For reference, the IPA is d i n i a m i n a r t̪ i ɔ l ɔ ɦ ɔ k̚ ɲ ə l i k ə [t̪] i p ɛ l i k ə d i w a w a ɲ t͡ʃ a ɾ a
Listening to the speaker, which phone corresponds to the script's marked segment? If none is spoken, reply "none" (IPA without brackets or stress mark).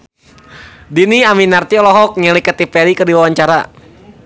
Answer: t̪